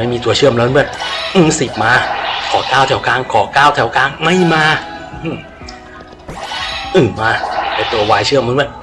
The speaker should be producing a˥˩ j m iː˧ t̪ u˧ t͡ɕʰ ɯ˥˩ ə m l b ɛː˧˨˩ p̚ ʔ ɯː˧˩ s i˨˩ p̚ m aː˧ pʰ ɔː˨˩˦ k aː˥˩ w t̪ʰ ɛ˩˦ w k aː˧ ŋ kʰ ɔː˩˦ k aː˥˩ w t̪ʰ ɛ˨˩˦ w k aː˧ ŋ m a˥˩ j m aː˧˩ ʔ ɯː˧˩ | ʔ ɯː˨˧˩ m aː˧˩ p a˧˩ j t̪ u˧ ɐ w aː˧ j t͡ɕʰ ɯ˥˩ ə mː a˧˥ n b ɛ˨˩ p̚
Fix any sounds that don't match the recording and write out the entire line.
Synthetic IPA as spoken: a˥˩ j m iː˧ t̪ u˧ t͡ɕʰ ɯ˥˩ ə m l b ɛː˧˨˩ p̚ ʔ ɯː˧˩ s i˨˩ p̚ m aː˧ kʰ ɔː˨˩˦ k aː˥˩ w t̪ʰ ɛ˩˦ w k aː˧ ŋ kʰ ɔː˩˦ k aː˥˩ w t̪ʰ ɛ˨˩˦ w k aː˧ ŋ m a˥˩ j m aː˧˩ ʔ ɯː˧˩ | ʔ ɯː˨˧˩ m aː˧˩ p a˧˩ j t̪ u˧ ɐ w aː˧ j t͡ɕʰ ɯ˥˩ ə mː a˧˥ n b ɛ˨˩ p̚